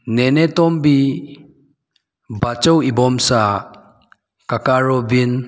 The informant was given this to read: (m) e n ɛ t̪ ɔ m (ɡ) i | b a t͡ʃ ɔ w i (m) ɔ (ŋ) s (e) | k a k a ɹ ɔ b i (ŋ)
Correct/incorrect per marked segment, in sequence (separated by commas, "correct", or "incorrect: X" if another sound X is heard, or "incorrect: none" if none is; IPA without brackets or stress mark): incorrect: n, incorrect: b, incorrect: b, incorrect: m, incorrect: a, incorrect: n